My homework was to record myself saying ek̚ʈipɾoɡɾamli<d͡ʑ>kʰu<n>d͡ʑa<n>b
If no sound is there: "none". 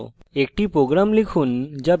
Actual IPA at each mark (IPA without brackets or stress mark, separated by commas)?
none, n, none